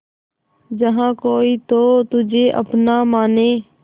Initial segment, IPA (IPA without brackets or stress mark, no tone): d͡ʒ